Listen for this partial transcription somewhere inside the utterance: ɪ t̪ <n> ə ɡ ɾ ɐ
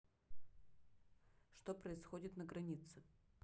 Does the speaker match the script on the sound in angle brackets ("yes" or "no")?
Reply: yes